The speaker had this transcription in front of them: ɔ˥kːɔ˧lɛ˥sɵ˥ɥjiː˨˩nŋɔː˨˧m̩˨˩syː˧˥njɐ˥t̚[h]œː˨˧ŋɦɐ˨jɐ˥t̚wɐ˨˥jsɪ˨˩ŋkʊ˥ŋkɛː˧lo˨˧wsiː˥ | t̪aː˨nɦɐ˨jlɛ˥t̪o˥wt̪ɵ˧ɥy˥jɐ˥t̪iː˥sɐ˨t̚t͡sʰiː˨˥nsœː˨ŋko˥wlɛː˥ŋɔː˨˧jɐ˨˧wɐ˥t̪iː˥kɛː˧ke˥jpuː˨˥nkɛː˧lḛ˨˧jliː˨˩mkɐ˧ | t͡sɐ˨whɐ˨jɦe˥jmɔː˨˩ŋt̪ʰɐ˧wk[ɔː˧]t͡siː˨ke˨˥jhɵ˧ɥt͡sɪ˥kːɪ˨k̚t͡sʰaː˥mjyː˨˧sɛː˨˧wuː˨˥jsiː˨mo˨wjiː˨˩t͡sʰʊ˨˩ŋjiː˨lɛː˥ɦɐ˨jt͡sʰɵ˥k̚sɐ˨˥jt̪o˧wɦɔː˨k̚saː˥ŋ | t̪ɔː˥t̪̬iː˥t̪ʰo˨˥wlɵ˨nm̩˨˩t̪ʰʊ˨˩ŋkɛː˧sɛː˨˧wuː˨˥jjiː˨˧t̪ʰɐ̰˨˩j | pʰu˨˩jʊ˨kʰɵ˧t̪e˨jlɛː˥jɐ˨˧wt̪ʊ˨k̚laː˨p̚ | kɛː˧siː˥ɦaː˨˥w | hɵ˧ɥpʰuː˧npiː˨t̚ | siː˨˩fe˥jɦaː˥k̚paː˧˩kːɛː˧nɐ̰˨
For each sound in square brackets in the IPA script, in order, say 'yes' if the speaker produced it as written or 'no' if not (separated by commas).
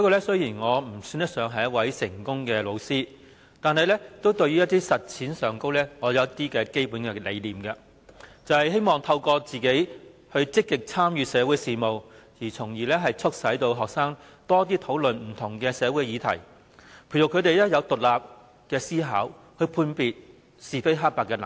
no, yes